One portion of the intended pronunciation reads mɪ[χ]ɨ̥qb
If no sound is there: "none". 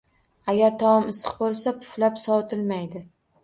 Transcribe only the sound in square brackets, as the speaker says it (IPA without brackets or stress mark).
s